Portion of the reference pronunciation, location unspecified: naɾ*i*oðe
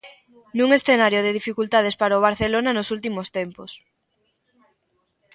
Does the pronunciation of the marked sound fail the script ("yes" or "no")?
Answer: yes